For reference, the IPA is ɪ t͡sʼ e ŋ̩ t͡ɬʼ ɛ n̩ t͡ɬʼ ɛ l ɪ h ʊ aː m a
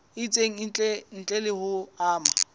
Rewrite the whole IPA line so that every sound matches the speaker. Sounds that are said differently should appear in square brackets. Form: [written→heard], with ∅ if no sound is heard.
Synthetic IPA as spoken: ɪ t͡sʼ e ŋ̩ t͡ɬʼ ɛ n̩ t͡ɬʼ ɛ l ɪ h ʊ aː m a